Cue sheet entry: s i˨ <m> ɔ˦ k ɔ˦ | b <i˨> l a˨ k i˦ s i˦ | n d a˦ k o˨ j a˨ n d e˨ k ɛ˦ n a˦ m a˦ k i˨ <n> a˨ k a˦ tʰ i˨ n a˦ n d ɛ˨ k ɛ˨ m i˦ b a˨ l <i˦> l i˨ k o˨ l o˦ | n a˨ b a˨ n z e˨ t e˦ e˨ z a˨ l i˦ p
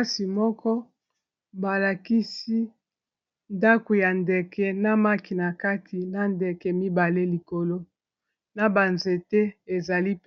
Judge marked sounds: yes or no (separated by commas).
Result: yes, no, yes, no